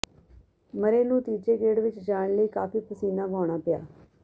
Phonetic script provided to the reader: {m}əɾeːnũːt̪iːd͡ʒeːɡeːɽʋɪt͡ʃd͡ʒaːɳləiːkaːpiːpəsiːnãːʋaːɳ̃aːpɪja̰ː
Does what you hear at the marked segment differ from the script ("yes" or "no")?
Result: no